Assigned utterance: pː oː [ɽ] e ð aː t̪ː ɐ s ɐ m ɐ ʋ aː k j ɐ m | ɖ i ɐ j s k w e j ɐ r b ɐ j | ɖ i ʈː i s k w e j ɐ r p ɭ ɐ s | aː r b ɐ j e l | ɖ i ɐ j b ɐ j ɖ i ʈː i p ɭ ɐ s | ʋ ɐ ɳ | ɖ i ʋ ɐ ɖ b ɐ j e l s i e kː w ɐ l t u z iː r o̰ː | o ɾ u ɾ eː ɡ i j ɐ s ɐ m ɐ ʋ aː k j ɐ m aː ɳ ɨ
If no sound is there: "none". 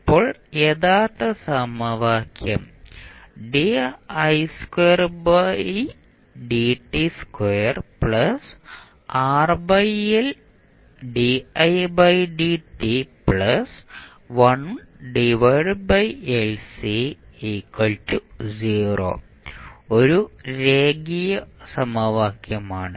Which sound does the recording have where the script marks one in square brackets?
ɭ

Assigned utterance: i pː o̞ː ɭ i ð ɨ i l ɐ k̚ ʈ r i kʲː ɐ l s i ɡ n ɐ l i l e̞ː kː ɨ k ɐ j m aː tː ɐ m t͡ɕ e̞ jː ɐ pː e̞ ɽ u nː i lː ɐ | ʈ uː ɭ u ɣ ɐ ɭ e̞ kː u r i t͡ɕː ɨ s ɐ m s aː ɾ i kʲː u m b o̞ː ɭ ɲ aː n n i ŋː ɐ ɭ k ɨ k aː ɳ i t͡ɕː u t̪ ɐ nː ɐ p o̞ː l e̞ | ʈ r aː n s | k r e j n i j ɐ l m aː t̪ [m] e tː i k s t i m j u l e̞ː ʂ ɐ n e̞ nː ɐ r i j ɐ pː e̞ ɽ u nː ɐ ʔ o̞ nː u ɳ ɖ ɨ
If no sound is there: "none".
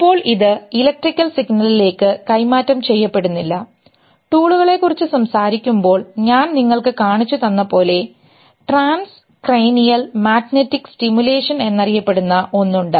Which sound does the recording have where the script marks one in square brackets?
n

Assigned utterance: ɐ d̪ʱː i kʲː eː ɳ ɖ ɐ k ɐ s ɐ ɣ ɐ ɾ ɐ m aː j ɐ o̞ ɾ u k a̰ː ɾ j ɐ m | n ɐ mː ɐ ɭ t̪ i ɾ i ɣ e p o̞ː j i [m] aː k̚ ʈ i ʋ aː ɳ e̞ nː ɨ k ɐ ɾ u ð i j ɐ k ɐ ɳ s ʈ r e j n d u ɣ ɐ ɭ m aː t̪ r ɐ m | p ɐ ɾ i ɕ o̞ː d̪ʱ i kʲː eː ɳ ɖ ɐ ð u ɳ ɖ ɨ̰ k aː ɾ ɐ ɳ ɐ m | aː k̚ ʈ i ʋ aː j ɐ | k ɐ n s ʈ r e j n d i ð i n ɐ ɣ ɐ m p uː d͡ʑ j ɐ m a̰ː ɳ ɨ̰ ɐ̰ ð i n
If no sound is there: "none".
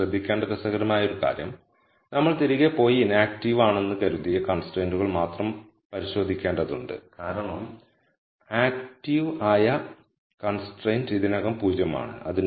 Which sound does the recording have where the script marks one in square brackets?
n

